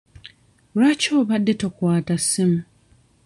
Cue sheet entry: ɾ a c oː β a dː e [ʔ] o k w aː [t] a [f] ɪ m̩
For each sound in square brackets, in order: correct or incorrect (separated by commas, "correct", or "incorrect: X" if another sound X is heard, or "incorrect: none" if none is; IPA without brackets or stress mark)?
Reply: incorrect: t, correct, incorrect: s